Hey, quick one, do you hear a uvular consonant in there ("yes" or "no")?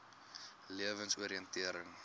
no